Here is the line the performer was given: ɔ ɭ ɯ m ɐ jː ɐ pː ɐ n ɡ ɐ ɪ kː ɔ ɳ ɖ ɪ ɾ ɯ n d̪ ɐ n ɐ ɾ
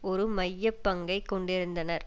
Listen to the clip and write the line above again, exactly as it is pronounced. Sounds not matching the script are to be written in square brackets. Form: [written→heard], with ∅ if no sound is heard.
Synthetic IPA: ɔ [ɭ→ɾ] ɯ m ɐ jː ɐ pː ɐ [n→ŋ] ɡ ɐ ɪ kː ɔ ɳ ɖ ɪ ɾ ɯ n d̪ ɐ n ɐ ɾ